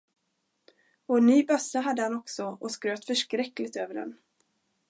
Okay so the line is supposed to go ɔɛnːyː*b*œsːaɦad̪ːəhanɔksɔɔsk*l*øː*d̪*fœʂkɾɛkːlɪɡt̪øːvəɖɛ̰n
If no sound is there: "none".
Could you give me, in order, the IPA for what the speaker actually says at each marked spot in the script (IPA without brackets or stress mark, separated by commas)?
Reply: b, ɾ, t̪